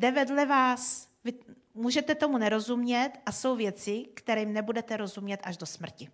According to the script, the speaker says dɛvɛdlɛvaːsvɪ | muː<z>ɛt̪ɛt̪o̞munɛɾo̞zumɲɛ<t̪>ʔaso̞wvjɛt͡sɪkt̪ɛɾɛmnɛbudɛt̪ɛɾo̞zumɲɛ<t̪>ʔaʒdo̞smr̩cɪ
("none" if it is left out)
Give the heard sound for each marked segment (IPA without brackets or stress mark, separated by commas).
ʒ, t̪, t̪